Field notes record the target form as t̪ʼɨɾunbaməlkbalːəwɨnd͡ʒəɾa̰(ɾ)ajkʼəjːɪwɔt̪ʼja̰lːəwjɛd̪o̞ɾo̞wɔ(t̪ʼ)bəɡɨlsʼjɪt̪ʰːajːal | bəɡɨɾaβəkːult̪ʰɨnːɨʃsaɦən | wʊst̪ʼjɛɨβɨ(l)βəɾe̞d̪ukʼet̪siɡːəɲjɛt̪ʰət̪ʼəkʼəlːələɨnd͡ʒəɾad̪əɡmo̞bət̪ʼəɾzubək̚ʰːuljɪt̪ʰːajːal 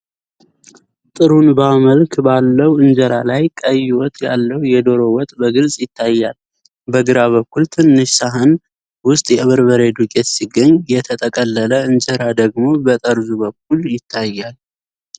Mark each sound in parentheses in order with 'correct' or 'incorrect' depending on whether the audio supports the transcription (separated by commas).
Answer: incorrect, correct, incorrect